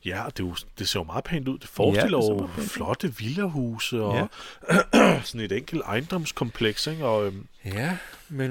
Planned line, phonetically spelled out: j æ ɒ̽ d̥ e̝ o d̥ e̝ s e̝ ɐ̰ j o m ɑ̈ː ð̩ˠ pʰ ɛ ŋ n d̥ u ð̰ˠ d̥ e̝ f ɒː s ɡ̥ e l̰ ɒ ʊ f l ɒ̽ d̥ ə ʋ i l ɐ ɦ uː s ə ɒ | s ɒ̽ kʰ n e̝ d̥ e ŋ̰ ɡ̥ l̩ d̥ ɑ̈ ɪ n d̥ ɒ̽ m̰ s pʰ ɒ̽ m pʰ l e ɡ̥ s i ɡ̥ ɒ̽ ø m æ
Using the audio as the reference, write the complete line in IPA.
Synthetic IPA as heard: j æ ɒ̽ d̥ e̝ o d̥ e̝ s e̝ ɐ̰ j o m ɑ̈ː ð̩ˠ pʰ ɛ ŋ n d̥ u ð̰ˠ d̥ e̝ f ɒː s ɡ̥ e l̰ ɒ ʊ f l ɒ̽ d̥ ə ʋ i l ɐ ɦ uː s ə ɒ | s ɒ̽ n e̝ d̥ e ŋ̰ ɡ̥ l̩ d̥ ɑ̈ ɪ n d̥ ɒ̽ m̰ s kʰ ɒ̽ m pʰ l e ɡ̥ s e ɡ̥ ɒ̽ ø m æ